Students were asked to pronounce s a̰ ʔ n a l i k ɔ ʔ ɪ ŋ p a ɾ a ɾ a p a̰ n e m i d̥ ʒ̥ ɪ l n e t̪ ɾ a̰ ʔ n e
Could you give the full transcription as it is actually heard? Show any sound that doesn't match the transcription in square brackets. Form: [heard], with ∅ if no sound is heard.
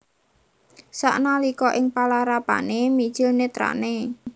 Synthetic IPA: s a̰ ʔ n a l i k ɔ ʔ ɪ ŋ p a [l] a ɾ a p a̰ n e m i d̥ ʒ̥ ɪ l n e t̪ ɾ a̰ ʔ n e